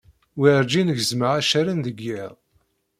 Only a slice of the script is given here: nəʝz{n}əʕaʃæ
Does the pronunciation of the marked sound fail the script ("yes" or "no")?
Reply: yes